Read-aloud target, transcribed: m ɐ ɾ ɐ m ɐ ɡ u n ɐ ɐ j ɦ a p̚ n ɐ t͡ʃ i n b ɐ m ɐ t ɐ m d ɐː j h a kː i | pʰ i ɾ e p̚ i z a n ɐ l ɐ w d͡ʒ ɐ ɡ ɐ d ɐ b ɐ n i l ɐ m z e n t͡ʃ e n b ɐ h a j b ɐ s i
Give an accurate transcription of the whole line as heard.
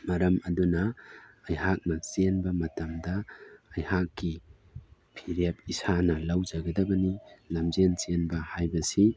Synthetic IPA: m ɐ ɾ ɐ m ɐ d u n ɐ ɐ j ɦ a k̚ n ɐ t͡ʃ e n b ɐ m ɐ t ɐ m d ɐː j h a kː i | pʰ i ɾ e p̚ i s a n ɐ l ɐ w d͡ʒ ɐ ɡ ɐ d ɐ b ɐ n i l ɐ m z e n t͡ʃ e n b ɐ h a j b ɐ s i

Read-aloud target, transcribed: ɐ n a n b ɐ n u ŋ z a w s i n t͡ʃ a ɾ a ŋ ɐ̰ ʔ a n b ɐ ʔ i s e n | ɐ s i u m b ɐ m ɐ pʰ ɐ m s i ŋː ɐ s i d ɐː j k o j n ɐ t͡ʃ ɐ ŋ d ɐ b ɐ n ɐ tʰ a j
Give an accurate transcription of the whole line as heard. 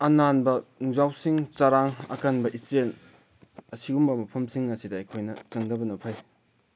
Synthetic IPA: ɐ n a n b ɐ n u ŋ z a w s i ŋ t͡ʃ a ɾ a ŋ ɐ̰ k a n b ɐ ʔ i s e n | ɐ s i u m b ɐ m ɐ pʰ ɐ m s i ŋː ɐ s i d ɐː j kʰ o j n ɐ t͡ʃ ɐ ŋ d ɐ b ɐ n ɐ pʰ a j

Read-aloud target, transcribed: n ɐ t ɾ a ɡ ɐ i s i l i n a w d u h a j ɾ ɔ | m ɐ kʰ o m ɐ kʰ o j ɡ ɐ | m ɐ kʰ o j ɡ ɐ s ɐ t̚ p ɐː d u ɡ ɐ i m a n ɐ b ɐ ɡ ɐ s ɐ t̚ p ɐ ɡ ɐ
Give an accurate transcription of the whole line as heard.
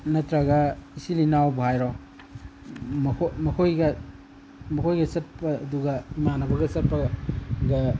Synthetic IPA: n ɐ t ɾ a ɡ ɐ i s i l i n a w b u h a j ɾ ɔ | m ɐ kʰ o m ɐ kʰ o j ɡ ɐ | m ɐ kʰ o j ɡ ɐ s ɐ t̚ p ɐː d u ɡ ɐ i m a n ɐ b ɐ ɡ ɐ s ɐ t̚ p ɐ ɡ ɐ

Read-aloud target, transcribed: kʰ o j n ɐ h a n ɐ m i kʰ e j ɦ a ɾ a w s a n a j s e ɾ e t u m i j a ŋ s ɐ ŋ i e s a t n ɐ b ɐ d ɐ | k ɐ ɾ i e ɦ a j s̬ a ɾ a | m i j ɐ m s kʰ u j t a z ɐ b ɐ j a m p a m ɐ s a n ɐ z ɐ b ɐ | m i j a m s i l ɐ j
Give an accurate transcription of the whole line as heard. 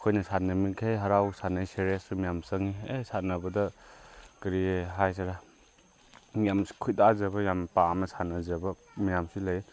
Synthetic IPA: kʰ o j n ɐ s a n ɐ m i kʰ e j ɦ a ɾ a w s a n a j s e ɾ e s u m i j a m s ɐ ŋ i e s a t n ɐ b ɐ d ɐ | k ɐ ɾ i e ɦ a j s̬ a ɾ a | m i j a m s kʰ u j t a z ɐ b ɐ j a m p a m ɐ s a n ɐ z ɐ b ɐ | m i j a m s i l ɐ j

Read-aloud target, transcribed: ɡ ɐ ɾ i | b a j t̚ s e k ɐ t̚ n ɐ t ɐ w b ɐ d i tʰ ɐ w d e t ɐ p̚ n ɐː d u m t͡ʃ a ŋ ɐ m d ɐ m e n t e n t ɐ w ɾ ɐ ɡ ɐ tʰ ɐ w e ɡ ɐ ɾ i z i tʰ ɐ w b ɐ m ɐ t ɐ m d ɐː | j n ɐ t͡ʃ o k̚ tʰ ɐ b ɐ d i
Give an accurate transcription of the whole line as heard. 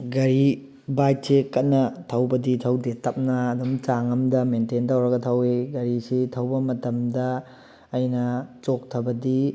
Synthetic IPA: ɡ ɐ ɾ i | b a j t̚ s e k ɐ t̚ n ɐ tʰ ɐ w b ɐ d i tʰ ɐ w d e t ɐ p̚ n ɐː d u m t͡ʃ a ŋ ɐ m d ɐ m e n t e n t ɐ w ɾ ɐ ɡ ɐ tʰ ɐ w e ɡ ɐ ɾ i s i tʰ ɐ w b ɐ m ɐ t ɐ m d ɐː | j n ɐ t͡ʃ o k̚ tʰ ɐ b ɐ d i

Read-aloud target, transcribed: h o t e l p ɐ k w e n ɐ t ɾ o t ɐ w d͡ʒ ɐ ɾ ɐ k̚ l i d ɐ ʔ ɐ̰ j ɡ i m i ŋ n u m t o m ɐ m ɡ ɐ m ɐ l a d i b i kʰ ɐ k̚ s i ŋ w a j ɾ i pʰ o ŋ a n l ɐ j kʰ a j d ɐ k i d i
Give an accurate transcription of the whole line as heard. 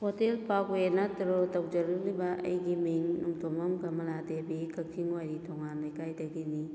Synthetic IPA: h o t e l p a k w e n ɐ t ɾ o t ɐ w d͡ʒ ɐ ɾ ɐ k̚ l i b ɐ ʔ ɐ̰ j ɡ i m i ŋ n u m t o m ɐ m ɡ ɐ m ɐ l a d e b i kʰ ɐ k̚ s i ŋ w a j ɾ i tʰ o ŋ a n l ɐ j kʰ a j d ɐ ɡ i n i

